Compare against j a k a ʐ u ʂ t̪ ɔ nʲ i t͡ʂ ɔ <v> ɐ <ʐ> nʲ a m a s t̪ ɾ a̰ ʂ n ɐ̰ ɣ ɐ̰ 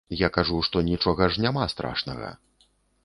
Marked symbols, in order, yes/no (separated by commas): no, yes